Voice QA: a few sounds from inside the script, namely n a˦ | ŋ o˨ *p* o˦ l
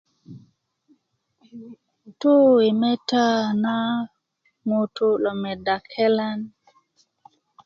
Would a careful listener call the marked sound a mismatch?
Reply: yes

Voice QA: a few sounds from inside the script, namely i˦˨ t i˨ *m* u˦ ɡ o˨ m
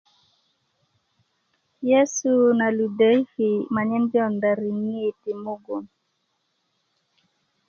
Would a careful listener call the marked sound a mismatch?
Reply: no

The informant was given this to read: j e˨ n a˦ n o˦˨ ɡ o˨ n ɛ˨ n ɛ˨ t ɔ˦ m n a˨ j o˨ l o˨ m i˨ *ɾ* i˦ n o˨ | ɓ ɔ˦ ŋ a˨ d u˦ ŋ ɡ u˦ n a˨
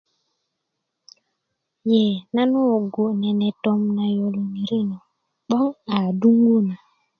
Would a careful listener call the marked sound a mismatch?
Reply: no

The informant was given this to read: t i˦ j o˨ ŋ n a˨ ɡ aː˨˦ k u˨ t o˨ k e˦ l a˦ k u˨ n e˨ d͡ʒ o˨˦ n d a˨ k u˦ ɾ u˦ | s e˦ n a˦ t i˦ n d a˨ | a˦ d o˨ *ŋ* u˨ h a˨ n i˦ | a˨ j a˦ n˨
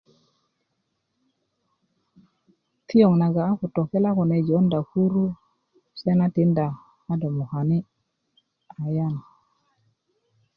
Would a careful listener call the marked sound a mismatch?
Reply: yes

